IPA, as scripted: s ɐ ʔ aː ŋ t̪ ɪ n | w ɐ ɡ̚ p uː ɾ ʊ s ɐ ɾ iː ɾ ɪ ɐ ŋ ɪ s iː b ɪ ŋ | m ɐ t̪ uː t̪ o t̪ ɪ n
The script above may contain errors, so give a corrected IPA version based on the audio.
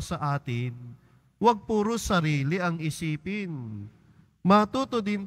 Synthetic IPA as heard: s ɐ ʔ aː t̪ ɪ n | w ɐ ɡ̚ p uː ɾ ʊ s ɐ ɾ iː l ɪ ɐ ŋ ɪ s iː p ɪ n | m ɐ t̪ uː t̪ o d̪ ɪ n

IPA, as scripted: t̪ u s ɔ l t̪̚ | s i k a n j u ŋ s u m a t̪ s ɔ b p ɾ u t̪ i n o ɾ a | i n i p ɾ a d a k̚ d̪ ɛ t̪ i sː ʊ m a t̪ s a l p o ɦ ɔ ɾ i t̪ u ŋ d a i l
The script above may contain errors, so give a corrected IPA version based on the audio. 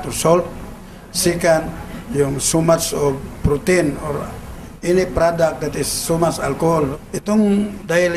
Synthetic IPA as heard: t̪ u s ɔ l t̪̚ | s i k a n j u ŋ s u m a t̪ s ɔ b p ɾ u t̪ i n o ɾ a | i n i p ɾ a d a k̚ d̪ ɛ t̪ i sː u m a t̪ s a l k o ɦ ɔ l i t̪ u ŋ d a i l

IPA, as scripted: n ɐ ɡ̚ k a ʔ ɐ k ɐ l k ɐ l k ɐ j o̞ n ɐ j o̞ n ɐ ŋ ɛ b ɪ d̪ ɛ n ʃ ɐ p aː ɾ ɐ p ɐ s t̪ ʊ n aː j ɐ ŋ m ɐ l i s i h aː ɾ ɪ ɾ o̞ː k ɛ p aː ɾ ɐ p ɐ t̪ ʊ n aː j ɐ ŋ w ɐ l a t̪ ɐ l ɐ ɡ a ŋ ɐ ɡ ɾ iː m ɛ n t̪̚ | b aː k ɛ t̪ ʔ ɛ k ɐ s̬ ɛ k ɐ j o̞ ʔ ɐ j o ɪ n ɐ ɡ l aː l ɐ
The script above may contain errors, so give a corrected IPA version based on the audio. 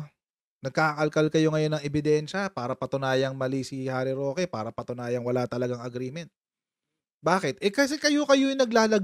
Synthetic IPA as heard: n ɐ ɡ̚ k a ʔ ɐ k ɐ l k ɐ l k ɐ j o̞ ŋ ɐ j o̞ n ɐ ŋ ɛ b ɪ d̪ ɛ n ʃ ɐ p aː ɾ ɐ p ɐ t̪ ʊ n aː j ɐ ŋ m ɐ l i s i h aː ɾ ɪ ɾ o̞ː k ɛ p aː ɾ ɐ p ɐ t̪ ʊ n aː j ɐ ŋ w ɐ l a t̪ ɐ l ɐ ɡ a ŋ ɐ ɡ ɾ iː m ɛ n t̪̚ | b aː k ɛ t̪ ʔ ɛ k ɐ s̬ ɛ k ɐ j o̞ k ɐ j o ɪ n ɐ ɡ l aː l ɐ

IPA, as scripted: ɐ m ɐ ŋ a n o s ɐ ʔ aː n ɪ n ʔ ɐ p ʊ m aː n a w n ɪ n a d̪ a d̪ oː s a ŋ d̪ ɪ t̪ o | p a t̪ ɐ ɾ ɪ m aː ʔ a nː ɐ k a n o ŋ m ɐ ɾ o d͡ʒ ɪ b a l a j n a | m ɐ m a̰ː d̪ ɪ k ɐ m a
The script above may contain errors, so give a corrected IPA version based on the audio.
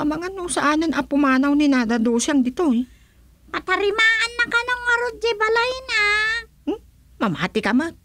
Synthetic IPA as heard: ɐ m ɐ ŋ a n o s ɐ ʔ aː n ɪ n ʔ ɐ p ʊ m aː n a w n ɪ n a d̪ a d̪ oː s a ŋ d̪ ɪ t̪ o | p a t̪ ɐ ɾ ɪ m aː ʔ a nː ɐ k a n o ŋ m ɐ ɾ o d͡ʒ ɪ b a l a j n a | m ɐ m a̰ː t̪ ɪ k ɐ m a

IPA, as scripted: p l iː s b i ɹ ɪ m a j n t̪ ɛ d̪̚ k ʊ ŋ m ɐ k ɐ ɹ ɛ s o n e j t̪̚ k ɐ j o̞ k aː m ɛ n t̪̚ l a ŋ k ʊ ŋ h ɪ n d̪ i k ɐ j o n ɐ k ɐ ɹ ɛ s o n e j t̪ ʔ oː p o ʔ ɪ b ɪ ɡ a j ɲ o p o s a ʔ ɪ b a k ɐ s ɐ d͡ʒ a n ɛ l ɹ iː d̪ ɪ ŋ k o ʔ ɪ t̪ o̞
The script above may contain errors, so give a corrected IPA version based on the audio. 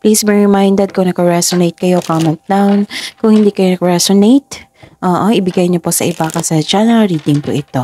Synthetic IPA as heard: p l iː s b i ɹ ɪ m a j n d̪ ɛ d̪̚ k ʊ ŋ n ɐ k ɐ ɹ ɛ s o n e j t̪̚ k ɐ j o̞ k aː m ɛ n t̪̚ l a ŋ k ʊ ŋ h ɪ n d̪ i k ɐ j o n ɐ k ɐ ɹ ɛ s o n e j t̪ ʔ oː ʔ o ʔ ɪ b ɪ ɡ a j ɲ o p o s ɐ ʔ ɪ b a k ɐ s ɐ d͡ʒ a n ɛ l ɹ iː d̪ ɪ ŋ p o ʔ ɪ t̪ o̞

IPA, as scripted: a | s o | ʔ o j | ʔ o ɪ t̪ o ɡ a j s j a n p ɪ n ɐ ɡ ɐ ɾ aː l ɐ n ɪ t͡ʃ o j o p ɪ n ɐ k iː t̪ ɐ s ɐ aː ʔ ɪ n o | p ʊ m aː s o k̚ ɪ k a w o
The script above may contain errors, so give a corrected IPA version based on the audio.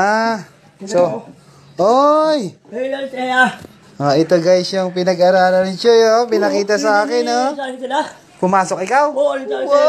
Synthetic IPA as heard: a | s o | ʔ o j | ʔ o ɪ t̪ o ɡ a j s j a ŋ p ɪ n ɐ ɡ ɐ ɾ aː l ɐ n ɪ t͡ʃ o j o p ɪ n ɐ k iː t̪ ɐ s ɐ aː k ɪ n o | p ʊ m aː s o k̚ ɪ k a w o

